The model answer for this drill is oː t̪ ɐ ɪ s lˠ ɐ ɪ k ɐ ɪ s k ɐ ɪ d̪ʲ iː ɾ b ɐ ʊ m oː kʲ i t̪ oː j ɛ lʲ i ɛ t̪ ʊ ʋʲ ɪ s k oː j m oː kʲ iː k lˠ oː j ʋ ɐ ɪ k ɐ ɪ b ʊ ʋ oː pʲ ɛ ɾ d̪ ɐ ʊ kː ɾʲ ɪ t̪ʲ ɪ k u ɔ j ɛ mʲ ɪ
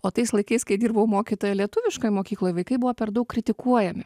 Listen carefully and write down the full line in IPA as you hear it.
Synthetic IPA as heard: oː t̪ ɐ ɪ s lˠ ɐ ɪ k ɐ ɪ s k ɐ ɪ d̪ʲ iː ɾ b ɐ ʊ m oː kʲ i t̪ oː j ɛ lʲ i ɛ t̪ ʊ ʋʲ ɪ ʃ k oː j m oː kʲ iː k lˠ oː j ʋ ɐ ɪ k ɐ ɪ b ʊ ʋ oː pʲ ɛ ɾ d̪ ɐ ʊ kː ɾʲ ɪ t̪ʲ ɪ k u ɔ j ɛ mʲ ɪ

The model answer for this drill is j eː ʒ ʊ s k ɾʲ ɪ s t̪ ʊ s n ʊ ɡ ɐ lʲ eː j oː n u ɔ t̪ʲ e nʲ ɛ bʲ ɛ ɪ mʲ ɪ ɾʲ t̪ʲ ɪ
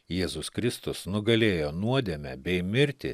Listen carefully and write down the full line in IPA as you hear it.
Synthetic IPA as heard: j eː z ʊ s k ɾʲ ɪ s t̪ ʊ s n ʊ ɡ ɐ lʲ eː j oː n u ɔ d̪ʲ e mʲ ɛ bʲ ɛ ɪ mʲ ɪ ɾʲ t̪ʲ ɪ

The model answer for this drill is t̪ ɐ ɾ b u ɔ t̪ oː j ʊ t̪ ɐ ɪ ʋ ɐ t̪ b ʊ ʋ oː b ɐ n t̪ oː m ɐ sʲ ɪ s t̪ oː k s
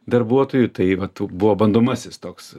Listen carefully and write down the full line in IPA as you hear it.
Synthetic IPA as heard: d̪ ɐ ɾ b u ɔ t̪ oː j ʊ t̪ ɐ ɪ ʋ ɐ t̪ b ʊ ʋ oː b ɐ n d̪ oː m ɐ sʲ ɪ s t̪ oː k s

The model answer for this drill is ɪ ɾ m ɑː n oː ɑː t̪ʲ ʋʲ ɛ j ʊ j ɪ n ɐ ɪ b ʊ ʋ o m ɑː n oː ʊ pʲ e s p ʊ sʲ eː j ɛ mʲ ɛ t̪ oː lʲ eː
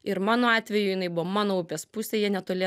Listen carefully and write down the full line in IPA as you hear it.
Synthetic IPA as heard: ɪ ɾ m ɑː n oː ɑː t̪ʲ ʋʲ ɛ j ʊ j ɪ n ɐ ɪ b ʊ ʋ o m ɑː n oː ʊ pʲ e s p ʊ sʲ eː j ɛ nʲ ɛ t̪ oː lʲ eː

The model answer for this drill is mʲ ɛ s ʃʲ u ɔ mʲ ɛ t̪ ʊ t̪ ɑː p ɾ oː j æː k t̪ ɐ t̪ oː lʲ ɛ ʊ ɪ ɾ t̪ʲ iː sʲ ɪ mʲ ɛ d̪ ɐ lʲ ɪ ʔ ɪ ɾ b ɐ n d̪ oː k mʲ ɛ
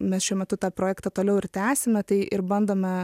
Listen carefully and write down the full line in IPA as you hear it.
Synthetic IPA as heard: mʲ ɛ s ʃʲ u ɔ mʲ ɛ t̪ ʊ t̪ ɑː p ɾ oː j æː k t̪ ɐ t̪ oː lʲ ɛ ʊ ɪ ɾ t̪ʲ æː sʲ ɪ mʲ ɛ t̪ ɐ ɪ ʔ ɪ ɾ b ɐ n d̪ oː mʲ ɛ

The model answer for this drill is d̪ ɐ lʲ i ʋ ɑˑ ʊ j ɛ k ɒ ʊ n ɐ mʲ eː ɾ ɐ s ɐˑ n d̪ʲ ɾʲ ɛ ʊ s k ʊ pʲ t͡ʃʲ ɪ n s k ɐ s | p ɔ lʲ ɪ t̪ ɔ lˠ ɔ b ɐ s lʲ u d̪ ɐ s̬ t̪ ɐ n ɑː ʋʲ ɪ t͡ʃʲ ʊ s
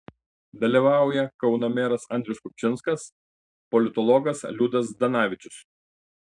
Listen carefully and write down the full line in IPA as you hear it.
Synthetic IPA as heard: d̪ ɐ lʲ i ʋ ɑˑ ʊ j ɛ k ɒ ʊ n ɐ mʲ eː ɾ ɐ s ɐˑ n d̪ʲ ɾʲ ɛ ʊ s k ʊ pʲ t͡ʃʲ ɪ n s k ɐ s | p ɔ lʲ ɪ t̪ ɔ lˠ ɔ ɡ ɐ s lʲ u d̪ ɐ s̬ d̪ ɐ n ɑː ʋʲ ɪ t͡ʃʲ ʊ s

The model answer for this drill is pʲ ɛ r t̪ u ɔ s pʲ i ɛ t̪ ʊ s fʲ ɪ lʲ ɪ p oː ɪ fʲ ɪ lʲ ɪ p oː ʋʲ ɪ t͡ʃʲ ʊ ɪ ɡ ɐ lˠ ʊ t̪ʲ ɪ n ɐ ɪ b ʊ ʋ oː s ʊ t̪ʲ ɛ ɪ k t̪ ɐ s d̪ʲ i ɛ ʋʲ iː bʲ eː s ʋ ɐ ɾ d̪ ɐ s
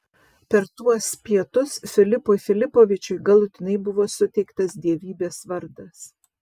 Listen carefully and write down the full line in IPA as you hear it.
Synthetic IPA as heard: pʲ ɛ ɾ t̪ u ɔ s pʲ i ɛ t̪ ʊ s fʲ ɪ lʲ ɪ p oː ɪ fʲ ɪ lʲ ɪ p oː ʋʲ ɪ t͡ʃʲ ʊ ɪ ɡ ɐ lˠ ʊ t̪ʲ ɪ n ɐ ɪ b ʊ ʋ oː s ʊ t̪ʲ ɛ ɪ k t̪ ɐ s d̪ʲ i ɛ ʋʲ iː bʲ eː s ʋ ɐ ɾ d̪ ɐ s

